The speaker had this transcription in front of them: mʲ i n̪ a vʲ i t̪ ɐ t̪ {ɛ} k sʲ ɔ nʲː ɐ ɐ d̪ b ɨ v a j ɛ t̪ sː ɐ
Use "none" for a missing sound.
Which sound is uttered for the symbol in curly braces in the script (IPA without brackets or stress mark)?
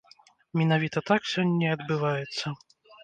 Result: a